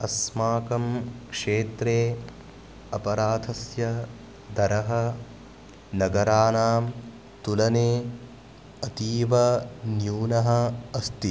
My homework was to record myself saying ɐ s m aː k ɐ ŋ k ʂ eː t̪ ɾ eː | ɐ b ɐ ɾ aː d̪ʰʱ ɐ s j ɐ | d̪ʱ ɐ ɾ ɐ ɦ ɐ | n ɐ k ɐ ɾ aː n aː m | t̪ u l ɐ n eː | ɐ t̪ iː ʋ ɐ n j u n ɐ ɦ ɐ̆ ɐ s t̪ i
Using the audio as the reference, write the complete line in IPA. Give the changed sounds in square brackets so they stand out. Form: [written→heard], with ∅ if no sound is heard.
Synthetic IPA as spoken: ɐ s m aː k ɐ [ŋ→m] k ʂ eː t̪ ɾ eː | ɐ [b→p] ɐ ɾ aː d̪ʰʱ ɐ s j ɐ | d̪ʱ ɐ ɾ ɐ ɦ ɐ | n ɐ [k→ɡ] ɐ ɾ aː n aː m | t̪ u l ɐ n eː | ɐ t̪ iː ʋ ɐ n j [u→uː] n ɐ ɦ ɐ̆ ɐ s t̪ i